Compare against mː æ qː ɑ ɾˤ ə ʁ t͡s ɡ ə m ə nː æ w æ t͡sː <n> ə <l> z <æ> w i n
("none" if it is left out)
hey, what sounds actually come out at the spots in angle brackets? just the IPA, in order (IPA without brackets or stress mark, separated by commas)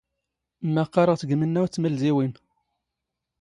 m, l, i